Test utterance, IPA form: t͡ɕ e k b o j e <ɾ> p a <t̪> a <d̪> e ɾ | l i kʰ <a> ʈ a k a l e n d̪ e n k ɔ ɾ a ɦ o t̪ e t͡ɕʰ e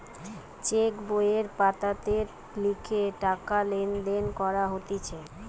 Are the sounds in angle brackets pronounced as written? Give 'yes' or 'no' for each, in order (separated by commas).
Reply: yes, yes, no, no